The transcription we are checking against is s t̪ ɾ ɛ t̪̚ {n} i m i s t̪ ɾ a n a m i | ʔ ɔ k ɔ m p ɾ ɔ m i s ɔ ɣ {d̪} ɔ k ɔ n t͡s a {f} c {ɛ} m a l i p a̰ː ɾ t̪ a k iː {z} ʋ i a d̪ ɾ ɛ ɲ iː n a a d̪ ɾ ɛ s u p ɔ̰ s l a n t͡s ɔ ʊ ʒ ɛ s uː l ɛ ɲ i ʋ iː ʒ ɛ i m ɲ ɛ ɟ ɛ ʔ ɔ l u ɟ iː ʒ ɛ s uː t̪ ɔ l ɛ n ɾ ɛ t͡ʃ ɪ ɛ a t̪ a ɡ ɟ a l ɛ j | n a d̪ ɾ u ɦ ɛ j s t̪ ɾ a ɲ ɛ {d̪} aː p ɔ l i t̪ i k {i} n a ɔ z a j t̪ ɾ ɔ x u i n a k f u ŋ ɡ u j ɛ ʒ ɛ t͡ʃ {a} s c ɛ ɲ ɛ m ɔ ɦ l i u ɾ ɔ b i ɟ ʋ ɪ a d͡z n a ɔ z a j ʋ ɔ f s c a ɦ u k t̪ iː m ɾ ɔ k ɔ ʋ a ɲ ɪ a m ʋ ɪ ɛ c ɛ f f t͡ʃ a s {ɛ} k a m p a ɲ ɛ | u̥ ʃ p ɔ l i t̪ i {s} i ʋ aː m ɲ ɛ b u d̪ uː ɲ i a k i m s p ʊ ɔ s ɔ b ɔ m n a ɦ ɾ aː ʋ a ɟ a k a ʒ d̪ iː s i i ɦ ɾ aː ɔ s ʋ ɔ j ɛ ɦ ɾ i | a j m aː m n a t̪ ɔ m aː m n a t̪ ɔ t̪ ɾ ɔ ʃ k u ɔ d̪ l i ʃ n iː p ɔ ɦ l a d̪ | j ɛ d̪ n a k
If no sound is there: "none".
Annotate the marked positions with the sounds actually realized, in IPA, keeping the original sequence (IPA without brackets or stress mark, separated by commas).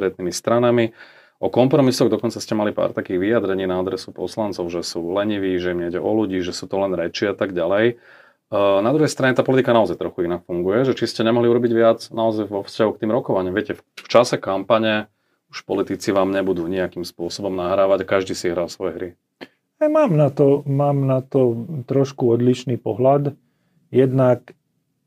n, d̪, s, ɛ, ɣ, t̪, a, i, ɛ, t͡s